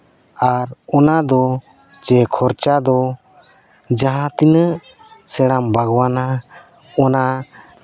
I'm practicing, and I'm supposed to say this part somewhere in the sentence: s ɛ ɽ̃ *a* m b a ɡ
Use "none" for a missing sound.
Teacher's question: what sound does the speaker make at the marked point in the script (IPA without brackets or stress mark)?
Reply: a